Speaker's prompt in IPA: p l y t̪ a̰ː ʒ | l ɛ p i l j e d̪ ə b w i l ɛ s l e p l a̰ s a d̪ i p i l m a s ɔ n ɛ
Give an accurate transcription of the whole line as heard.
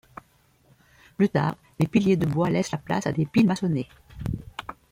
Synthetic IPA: p l y t̪ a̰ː ʁ | l e p i l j e d̪ ə b w a l ɛ s l a p l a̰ s a d̪ e p i l m a s ɔ n e